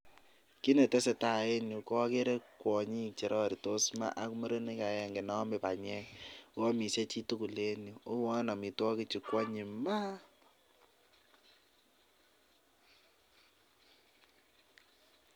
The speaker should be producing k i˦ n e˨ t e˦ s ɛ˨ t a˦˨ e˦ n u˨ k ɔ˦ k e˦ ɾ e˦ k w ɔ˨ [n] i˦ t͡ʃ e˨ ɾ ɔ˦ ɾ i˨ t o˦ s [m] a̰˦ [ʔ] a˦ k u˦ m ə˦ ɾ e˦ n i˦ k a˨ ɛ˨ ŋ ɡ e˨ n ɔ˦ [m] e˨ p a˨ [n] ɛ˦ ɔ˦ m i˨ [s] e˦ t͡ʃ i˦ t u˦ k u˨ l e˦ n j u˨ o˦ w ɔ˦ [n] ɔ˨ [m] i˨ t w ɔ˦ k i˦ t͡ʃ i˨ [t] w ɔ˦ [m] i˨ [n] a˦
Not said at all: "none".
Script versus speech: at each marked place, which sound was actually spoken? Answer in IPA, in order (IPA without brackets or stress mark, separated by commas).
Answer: ɲ, m, ʔ, m, ɲ, s, n, m, k, ɲ, m